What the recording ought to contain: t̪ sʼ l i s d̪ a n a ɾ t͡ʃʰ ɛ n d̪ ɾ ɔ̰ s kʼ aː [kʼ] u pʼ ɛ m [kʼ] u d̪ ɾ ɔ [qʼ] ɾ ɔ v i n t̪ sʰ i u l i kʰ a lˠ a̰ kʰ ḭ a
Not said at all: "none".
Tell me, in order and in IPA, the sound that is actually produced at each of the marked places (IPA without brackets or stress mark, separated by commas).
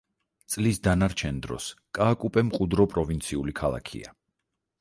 kʼ, qʼ, pʼ